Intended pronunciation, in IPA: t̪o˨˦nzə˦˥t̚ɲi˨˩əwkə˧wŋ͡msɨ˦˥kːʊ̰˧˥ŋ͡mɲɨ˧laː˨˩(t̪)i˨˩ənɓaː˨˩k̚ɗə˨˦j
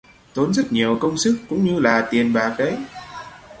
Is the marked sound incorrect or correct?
correct